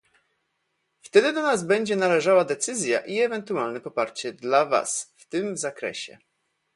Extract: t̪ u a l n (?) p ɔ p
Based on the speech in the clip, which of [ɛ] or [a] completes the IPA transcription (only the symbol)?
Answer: ɛ